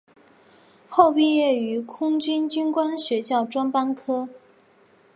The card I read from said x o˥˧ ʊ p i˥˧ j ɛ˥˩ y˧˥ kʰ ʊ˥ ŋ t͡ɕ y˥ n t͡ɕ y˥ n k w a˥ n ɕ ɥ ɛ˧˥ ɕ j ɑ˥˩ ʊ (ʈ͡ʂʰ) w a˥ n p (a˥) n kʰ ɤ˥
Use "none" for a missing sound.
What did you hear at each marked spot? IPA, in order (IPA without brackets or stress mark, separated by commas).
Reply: ʈ͡ʂ, a˥